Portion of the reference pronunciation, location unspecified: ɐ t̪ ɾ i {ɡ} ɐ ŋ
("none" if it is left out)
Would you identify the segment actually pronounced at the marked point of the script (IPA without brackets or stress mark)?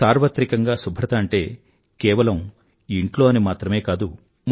k